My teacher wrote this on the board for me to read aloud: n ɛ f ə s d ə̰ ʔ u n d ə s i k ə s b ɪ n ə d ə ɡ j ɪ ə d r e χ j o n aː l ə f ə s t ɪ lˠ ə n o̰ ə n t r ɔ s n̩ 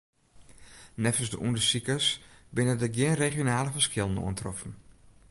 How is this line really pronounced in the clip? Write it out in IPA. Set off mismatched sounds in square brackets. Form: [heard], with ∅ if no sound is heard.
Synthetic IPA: n ɛ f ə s d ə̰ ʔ u n d ə s i k ə s b ɪ n ə d ə ɡ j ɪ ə [n] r e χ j o n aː l ə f ə s [k] ɪ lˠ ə n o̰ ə n t r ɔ [f] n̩